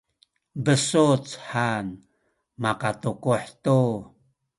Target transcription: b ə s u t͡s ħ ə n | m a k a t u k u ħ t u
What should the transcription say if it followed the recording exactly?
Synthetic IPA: b ə s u t͡s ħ a n | m a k a t u k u ħ t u